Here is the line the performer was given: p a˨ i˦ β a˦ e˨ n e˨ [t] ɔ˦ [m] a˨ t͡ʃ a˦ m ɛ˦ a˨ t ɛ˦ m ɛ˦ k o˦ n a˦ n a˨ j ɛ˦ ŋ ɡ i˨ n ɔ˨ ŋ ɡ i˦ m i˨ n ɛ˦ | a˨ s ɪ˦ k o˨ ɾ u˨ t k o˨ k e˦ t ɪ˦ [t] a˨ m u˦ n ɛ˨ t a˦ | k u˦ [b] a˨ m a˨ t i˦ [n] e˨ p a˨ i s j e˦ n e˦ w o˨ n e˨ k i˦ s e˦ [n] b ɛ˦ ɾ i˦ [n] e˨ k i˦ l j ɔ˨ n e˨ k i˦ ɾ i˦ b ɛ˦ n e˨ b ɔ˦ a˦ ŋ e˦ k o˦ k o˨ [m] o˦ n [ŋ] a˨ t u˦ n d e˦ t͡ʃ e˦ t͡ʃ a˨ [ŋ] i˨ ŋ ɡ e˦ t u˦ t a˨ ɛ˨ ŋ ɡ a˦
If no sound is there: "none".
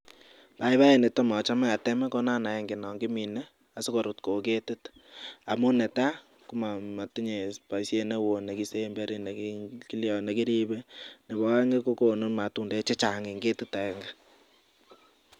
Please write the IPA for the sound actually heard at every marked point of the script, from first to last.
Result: t, m, t, m, ɲ, m, n, n, m, ŋ

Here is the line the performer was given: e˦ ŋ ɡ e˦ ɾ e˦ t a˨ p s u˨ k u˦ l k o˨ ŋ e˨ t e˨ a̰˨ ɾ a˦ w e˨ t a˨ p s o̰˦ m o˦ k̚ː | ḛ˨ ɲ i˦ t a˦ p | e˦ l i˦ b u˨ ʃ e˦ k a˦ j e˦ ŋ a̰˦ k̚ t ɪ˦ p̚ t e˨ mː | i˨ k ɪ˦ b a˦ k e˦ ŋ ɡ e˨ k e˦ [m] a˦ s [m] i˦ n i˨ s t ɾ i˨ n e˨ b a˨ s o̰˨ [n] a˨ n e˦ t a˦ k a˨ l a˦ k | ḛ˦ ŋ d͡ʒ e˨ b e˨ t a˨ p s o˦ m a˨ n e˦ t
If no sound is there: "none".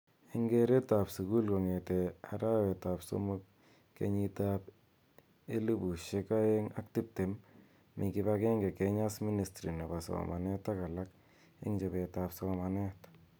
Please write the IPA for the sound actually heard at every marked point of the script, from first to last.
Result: ɲ, m, m

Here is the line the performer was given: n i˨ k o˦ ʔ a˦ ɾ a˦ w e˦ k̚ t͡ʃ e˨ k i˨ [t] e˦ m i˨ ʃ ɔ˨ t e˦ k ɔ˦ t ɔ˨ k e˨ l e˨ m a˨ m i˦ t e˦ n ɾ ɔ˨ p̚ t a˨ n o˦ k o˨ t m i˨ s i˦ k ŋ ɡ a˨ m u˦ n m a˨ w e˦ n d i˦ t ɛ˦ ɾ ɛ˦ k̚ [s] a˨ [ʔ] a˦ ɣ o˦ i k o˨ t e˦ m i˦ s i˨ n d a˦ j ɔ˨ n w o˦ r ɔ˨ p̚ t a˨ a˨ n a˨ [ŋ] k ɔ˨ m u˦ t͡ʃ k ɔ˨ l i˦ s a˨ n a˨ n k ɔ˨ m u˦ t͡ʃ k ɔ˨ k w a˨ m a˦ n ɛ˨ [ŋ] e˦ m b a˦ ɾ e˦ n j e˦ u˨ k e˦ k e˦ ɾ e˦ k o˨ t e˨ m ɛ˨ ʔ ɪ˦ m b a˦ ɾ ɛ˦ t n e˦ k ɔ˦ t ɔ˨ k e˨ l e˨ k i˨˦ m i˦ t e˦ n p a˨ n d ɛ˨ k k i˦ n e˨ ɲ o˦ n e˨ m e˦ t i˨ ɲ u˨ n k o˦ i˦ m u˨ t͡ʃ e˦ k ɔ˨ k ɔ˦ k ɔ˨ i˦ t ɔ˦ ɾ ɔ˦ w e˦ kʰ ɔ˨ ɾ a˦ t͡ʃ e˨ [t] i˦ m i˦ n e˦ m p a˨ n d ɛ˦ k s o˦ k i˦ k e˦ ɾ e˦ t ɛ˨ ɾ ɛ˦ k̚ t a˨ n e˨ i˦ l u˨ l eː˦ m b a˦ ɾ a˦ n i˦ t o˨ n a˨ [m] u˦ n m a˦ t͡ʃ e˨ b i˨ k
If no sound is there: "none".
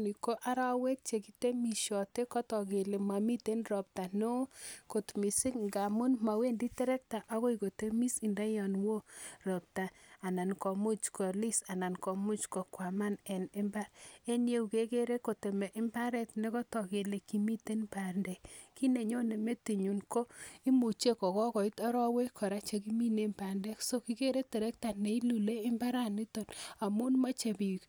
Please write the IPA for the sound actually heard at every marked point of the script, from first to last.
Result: t, t, ʔ, n, n, k, m

